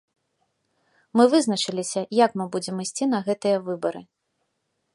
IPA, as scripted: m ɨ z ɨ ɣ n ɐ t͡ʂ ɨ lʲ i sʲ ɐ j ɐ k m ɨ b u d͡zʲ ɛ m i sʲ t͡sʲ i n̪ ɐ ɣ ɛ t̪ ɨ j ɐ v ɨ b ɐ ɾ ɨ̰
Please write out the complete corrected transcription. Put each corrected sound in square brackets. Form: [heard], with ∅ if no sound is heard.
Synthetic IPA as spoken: m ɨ [v] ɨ [z] n ɐ t͡ʂ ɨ lʲ i sʲ ɐ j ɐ k m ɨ b u d͡zʲ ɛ m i sʲ t͡sʲ i n̪ ɐ ɣ ɛ t̪ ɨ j ɐ v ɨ b ɐ ɾ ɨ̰